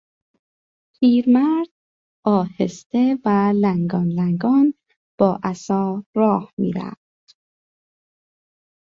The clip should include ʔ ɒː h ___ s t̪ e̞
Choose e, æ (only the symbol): e